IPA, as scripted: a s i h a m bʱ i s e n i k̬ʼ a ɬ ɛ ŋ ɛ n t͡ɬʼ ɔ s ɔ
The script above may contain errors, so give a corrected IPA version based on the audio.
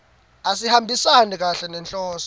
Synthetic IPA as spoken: a s i h a m bʱ i s a n i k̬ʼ a ɬ ɛ n ɛ n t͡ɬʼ ɔː s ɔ